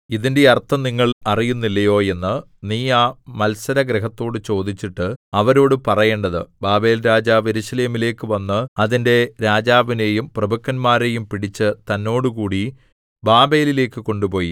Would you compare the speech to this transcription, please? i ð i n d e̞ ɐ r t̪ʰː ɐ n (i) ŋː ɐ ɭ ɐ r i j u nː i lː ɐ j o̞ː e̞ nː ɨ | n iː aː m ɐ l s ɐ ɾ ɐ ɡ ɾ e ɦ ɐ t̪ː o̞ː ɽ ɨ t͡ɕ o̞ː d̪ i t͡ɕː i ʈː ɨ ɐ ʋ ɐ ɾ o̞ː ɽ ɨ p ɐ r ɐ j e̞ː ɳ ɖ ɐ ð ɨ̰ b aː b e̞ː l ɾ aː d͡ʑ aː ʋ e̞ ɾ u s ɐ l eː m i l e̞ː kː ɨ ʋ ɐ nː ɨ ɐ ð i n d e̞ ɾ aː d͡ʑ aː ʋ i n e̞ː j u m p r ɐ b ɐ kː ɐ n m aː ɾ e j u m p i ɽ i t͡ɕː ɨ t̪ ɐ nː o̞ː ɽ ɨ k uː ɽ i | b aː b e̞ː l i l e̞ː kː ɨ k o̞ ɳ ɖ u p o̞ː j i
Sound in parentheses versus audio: correct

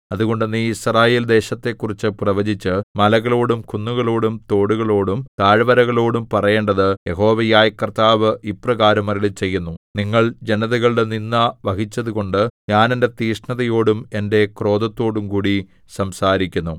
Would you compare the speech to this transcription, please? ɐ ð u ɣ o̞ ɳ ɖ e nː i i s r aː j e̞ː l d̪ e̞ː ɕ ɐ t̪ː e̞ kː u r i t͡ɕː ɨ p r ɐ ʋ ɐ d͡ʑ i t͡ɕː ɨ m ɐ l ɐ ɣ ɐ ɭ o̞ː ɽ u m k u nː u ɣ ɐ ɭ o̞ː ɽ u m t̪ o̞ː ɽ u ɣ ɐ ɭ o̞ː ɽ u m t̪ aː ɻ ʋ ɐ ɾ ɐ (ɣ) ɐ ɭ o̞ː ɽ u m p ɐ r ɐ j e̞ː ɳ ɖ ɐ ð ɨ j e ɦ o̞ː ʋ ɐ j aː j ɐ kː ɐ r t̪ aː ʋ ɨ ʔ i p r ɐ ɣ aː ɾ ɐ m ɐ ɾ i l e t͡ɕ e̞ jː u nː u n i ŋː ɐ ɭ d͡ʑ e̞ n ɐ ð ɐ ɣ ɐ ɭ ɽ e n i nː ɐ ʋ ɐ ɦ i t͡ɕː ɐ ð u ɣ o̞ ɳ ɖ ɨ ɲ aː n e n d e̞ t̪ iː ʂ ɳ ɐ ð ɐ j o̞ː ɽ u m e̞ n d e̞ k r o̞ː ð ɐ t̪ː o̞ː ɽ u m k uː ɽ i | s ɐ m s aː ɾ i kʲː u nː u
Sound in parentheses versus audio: correct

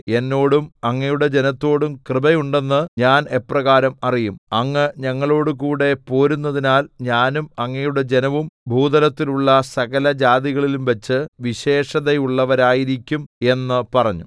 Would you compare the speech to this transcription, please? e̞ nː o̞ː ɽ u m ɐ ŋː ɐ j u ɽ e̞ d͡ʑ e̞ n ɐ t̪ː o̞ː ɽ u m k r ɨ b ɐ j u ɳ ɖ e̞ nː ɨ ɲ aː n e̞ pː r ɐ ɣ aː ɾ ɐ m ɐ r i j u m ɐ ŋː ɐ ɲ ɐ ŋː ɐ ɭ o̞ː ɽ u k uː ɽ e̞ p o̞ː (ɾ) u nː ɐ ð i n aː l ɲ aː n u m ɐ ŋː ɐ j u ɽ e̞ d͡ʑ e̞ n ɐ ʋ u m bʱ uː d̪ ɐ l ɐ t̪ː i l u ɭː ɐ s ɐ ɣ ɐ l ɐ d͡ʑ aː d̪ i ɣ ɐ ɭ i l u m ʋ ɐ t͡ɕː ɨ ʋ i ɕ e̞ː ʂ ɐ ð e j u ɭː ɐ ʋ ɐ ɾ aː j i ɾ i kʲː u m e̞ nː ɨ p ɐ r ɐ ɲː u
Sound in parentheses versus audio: correct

